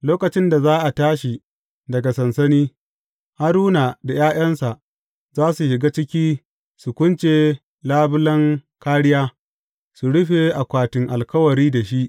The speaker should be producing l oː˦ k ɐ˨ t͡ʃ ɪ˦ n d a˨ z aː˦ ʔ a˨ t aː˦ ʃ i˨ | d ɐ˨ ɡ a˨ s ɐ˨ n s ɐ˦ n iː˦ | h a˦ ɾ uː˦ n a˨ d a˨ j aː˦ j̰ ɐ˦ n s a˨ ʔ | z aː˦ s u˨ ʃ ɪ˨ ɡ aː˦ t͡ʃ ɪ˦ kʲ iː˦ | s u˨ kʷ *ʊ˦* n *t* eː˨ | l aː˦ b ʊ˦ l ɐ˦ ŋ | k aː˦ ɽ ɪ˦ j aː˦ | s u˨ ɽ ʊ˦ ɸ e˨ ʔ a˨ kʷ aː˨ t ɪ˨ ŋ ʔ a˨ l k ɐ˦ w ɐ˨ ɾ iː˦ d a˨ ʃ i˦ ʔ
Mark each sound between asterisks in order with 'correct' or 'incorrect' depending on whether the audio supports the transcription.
correct, incorrect: t͡ʃ

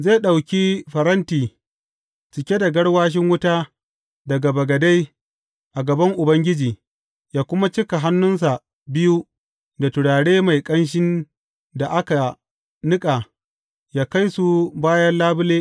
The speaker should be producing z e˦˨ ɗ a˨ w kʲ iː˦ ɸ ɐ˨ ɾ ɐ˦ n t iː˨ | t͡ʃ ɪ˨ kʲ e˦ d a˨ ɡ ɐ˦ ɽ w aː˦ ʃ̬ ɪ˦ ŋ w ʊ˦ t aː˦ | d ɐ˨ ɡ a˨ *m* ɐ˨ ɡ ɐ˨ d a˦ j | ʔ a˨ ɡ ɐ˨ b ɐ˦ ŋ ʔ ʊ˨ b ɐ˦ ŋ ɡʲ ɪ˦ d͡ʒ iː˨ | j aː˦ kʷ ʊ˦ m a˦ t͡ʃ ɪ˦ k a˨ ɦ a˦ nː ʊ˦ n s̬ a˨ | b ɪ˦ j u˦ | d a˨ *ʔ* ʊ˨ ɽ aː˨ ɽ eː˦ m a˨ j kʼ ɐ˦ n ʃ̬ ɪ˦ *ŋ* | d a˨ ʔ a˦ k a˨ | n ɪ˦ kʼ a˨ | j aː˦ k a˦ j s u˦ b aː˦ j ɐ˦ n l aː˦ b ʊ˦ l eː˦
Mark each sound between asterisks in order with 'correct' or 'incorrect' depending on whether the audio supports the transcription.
incorrect: b, incorrect: t, incorrect: n

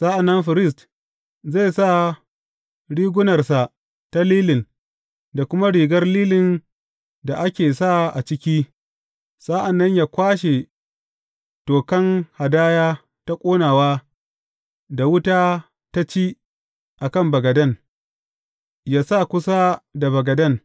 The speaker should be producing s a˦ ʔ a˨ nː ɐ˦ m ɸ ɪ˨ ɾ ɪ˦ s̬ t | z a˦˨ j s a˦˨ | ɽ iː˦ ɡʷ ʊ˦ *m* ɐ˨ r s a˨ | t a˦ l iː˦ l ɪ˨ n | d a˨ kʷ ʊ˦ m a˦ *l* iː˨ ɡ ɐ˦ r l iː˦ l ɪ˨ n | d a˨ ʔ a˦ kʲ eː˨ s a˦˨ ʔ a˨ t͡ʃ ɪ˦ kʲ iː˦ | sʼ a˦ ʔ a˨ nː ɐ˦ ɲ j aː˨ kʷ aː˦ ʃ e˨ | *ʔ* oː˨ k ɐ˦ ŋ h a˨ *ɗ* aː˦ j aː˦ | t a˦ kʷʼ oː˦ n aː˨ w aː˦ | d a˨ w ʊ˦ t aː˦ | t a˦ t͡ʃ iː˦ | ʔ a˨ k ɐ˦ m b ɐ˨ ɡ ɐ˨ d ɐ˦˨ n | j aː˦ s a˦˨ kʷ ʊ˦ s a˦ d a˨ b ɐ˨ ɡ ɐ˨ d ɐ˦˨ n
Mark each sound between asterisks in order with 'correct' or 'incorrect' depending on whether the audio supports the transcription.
incorrect: n, incorrect: ɽ, incorrect: t, incorrect: d

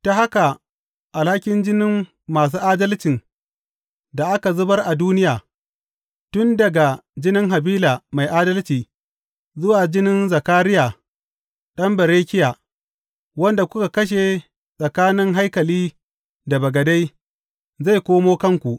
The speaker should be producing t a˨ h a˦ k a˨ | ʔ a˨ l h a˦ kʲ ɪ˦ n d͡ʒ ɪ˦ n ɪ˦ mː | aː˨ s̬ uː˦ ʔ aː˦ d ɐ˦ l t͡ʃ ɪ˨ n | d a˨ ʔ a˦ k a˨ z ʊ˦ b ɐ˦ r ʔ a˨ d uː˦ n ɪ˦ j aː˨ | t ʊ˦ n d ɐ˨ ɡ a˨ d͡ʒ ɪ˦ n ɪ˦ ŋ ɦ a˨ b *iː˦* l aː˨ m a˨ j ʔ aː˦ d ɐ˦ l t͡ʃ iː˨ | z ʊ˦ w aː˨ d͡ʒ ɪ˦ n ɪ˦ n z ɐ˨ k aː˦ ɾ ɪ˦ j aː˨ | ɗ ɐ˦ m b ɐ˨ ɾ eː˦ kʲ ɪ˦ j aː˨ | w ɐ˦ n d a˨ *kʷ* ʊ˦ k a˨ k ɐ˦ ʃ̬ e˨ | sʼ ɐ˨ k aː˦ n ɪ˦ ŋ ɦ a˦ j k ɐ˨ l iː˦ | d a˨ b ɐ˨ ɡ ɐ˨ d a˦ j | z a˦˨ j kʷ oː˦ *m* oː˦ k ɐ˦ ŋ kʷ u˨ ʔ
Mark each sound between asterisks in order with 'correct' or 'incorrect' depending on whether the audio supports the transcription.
correct, correct, correct

